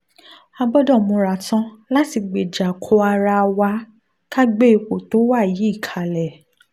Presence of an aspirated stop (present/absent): present